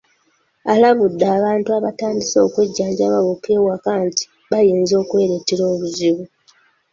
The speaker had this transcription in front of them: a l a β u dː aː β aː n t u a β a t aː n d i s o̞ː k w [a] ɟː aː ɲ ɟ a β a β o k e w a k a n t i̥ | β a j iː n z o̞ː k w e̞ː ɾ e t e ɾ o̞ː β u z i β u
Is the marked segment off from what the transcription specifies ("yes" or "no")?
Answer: yes